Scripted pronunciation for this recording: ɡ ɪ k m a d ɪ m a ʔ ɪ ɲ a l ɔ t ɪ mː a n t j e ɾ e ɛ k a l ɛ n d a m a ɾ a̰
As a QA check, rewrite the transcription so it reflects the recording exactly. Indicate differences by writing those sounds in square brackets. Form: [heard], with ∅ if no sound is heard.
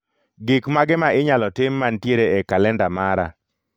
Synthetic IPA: ɡ ɪ k m a [ɡ] ɪ m a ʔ ɪ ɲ a l ɔ t ɪ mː a n t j e ɾ e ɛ k a l ɛ n d a m a ɾ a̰